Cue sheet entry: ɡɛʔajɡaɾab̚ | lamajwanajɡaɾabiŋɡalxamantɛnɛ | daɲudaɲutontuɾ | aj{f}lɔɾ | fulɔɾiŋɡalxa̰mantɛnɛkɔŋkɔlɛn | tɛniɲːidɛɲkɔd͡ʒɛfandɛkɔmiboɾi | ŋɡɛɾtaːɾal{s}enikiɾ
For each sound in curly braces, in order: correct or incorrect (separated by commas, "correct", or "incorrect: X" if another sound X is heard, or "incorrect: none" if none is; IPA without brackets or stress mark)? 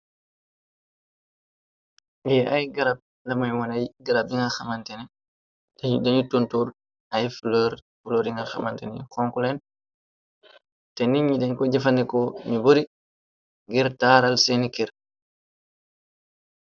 correct, correct